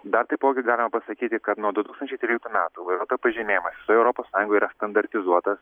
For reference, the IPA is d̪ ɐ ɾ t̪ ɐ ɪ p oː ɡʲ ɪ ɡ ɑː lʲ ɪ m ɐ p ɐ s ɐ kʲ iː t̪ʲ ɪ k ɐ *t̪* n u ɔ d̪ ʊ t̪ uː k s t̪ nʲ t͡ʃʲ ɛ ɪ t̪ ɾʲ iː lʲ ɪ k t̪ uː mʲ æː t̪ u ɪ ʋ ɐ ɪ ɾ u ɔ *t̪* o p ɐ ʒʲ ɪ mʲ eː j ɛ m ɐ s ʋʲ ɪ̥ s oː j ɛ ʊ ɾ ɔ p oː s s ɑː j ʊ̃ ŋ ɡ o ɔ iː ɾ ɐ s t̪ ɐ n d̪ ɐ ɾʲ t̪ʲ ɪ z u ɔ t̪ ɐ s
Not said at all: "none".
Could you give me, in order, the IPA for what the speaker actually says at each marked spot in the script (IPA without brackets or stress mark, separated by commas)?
t̪, t̪